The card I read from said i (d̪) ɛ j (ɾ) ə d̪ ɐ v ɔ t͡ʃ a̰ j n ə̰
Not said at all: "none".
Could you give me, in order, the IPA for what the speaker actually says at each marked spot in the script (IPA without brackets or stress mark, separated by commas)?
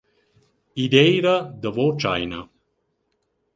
d̪, ɾ